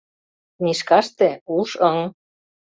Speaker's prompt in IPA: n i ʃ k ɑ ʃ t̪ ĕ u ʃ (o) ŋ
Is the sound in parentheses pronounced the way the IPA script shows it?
no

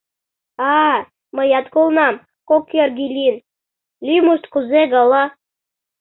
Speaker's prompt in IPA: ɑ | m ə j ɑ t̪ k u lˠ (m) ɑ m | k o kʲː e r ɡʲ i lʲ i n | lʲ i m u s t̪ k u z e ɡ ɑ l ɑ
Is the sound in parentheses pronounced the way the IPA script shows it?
no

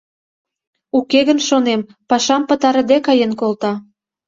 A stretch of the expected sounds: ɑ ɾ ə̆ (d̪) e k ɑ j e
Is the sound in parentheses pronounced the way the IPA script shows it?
yes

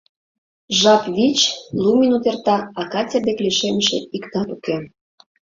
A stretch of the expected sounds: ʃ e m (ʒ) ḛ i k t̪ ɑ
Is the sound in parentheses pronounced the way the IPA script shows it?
no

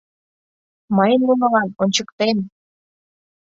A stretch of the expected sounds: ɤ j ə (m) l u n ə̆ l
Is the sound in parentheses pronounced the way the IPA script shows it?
no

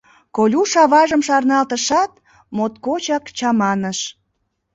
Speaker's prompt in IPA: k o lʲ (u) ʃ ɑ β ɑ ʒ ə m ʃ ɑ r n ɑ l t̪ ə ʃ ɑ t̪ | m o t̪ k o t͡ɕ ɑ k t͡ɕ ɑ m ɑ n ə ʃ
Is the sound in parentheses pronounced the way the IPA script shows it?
yes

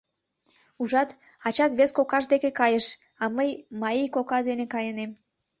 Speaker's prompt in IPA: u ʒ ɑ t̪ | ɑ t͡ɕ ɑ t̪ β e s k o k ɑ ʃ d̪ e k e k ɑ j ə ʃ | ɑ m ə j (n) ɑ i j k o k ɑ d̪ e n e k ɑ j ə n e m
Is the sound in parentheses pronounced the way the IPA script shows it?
no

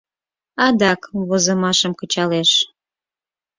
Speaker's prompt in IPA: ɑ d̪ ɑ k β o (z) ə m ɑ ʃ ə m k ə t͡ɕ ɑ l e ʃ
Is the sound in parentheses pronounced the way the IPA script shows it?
yes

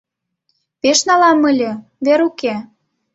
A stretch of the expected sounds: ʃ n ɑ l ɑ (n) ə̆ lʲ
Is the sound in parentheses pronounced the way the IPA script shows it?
no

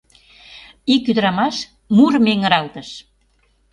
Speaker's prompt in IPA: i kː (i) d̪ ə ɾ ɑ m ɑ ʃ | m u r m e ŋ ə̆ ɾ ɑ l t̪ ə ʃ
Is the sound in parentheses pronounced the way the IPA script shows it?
no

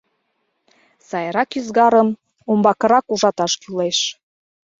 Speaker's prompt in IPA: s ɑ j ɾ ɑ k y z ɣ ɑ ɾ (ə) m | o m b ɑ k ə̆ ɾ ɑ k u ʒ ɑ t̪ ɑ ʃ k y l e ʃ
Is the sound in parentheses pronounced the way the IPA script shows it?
yes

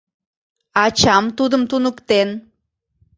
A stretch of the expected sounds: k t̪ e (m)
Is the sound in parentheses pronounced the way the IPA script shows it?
no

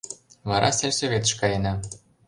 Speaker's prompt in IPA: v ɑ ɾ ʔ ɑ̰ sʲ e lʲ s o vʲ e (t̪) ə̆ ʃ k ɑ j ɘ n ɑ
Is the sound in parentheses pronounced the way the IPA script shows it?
yes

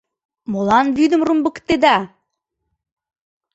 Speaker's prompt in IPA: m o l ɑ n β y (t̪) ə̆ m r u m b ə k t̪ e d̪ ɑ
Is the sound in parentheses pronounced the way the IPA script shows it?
no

